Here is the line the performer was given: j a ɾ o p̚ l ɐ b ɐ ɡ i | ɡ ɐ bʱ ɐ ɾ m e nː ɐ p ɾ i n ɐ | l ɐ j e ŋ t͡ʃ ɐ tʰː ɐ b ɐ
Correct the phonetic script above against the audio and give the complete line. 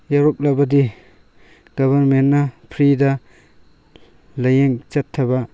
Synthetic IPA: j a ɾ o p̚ l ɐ b ɐ d i | ɡ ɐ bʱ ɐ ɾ m e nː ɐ pʰ ɾ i d ɐ | l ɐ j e ŋ t͡ʃ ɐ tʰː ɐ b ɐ